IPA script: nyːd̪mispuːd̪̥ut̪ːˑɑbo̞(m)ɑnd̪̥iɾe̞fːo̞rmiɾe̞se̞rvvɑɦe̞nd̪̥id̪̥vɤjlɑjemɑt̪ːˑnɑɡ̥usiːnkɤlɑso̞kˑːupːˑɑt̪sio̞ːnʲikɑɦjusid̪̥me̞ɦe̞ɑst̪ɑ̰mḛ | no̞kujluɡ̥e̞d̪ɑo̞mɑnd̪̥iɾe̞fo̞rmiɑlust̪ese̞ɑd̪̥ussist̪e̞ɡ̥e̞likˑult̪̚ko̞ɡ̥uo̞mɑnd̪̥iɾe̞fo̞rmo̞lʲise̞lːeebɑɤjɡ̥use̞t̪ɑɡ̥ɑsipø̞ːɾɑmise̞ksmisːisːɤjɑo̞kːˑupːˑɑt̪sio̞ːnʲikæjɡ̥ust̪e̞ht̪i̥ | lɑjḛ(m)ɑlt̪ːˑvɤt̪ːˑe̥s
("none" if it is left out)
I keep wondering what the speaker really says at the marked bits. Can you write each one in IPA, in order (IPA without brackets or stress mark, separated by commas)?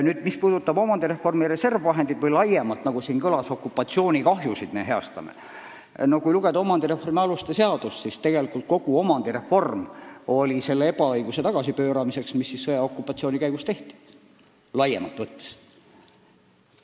m, m